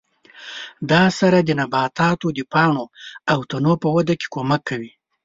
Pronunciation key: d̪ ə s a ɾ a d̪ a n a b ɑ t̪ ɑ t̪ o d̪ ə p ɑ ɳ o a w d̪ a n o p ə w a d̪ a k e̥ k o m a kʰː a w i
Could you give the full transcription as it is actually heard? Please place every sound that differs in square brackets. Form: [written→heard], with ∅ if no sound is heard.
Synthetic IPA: d̪ [ə→ɑ] s a ɾ a d̪ [a→ə] n a b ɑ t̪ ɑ t̪ o d̪ ə p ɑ ɳ o a w [d̪→t̪] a n o p ə w a d̪ a k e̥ k o m a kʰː a w i